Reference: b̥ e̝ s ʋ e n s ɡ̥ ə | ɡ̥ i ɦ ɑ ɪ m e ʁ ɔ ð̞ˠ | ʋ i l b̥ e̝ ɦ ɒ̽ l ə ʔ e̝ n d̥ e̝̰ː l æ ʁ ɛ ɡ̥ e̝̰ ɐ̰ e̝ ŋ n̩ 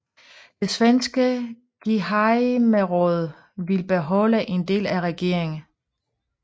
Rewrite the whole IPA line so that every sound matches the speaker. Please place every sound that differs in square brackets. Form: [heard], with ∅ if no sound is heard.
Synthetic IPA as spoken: [d̥] e̝ s ʋ e n s ɡ̥ ə | ɡ̥ i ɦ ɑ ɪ m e ʁ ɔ ð̞ˠ | ʋ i l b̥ e̝ ɦ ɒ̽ l ə ʔ e̝ n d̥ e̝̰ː l æ ʁ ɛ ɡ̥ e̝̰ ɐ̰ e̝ ŋ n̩